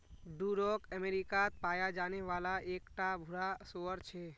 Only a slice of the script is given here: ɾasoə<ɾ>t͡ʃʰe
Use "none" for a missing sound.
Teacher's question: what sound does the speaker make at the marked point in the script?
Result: ɾ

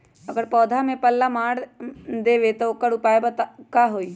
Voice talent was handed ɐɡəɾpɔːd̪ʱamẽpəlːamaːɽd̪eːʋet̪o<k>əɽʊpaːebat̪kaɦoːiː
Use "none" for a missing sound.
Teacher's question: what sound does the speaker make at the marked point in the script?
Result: k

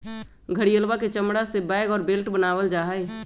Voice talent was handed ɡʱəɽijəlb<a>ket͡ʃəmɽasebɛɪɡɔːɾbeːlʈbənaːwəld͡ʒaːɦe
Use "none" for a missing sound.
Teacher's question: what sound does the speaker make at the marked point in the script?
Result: a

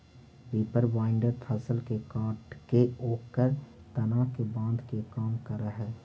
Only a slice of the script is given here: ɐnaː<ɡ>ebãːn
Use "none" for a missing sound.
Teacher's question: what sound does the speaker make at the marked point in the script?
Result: k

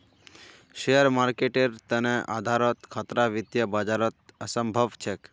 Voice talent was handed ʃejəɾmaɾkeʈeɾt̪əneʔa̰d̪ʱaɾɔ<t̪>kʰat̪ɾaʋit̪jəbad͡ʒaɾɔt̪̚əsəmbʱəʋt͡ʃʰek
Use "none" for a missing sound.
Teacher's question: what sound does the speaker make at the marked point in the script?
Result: t̪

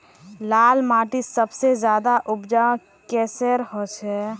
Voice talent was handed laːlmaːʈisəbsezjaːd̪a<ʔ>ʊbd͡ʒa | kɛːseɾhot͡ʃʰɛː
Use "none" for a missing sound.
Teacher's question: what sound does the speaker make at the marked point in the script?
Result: ʔ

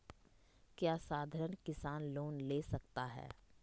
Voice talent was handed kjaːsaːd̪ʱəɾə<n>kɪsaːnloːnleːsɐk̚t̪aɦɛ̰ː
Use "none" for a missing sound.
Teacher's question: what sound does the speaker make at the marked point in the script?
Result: n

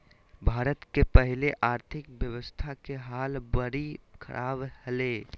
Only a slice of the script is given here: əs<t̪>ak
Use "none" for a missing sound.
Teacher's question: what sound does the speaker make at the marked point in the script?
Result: t̪ʰ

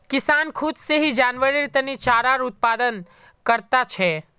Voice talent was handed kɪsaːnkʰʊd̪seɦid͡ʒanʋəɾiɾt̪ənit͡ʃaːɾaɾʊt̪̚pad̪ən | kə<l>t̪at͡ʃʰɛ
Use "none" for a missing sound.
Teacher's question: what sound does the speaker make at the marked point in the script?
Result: ɾ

